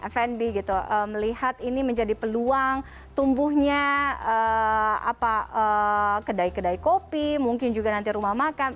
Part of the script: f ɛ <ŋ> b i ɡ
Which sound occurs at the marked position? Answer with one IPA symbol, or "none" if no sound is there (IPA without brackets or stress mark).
n